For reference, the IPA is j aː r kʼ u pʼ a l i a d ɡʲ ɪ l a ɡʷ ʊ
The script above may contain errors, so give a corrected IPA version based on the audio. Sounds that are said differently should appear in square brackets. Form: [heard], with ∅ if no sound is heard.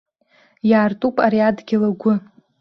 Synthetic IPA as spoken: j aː r [tʼ] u pʼ a [ɾ] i a d ɡʲ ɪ l a ɡʷ ʊ